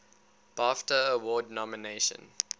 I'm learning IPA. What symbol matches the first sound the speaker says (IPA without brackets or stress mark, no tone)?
b̥